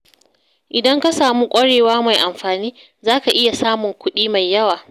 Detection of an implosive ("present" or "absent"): present